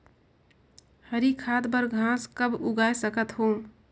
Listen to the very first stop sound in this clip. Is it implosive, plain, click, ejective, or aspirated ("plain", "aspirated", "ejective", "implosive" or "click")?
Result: aspirated